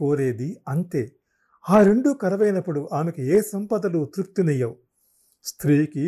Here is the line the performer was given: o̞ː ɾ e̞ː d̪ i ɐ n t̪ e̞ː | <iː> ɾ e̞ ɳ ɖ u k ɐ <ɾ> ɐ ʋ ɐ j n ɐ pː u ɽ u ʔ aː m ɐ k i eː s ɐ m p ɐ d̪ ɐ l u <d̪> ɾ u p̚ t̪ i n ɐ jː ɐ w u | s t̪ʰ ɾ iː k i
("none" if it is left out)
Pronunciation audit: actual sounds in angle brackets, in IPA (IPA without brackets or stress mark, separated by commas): aː, ɾ, t̪